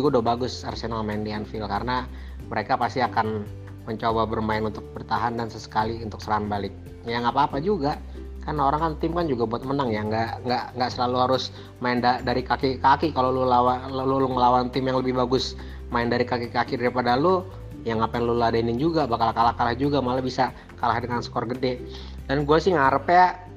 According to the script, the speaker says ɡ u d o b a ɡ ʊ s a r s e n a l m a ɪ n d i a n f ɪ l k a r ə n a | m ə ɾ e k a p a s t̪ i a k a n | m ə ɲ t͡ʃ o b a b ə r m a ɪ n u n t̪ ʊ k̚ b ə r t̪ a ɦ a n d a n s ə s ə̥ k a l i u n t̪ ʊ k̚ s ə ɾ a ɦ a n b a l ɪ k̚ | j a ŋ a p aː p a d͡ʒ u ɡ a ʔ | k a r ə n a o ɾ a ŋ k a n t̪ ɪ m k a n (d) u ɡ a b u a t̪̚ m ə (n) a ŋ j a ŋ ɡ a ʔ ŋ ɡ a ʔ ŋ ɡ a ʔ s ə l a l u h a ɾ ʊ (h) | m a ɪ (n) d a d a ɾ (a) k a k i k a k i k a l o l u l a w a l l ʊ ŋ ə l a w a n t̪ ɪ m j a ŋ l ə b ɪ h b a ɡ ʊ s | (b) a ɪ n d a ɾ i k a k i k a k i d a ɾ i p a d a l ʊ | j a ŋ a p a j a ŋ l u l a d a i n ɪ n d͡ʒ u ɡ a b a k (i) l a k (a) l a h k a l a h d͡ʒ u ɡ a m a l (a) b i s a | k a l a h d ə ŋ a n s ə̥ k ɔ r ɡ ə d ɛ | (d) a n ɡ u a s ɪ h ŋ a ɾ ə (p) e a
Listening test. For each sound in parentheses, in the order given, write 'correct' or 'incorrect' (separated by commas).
incorrect, correct, incorrect, correct, incorrect, incorrect, incorrect, correct, correct, correct, correct